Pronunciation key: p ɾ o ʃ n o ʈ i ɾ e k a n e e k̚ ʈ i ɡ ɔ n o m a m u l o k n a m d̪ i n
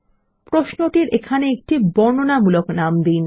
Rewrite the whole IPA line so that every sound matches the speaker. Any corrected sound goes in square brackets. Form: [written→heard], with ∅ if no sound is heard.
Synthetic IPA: p ɾ o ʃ n o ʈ i ɾ e [k→kʰ] a n e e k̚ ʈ i [ɡ→b] ɔ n o [m→n] a m u l o k n a m d̪ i n